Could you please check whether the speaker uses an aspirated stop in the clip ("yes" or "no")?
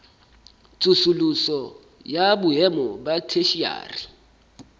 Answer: yes